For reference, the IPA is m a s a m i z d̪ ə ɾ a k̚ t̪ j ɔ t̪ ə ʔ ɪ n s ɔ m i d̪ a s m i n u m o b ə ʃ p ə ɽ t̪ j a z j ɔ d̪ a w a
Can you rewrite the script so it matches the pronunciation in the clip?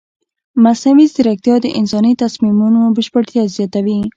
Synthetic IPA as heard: m a s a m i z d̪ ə ɾ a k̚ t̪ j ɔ d̪ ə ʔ ɪ n s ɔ n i t̪ a s m i m u n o b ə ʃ p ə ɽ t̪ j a z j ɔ t̪ a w i